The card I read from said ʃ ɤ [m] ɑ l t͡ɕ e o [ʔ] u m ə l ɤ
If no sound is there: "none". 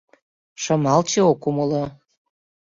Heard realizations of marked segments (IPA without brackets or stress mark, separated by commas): m, k